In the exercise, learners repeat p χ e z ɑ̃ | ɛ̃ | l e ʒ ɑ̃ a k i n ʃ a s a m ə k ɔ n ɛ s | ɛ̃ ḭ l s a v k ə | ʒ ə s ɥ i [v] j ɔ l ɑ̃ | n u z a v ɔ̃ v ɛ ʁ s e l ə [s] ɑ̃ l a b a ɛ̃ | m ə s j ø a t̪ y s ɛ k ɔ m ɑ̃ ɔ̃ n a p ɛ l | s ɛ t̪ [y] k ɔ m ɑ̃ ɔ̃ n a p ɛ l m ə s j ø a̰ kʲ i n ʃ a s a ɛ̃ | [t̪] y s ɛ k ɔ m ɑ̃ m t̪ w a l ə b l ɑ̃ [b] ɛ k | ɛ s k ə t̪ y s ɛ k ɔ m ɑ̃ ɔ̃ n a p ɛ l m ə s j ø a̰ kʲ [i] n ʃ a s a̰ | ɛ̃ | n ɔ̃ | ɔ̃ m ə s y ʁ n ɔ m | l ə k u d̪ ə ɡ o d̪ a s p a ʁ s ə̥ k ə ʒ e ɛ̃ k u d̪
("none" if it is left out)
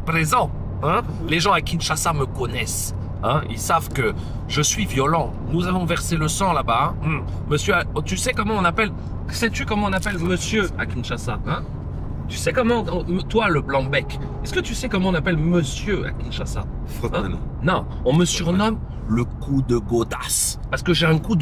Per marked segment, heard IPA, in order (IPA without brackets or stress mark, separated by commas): v, s, y, t̪, b, i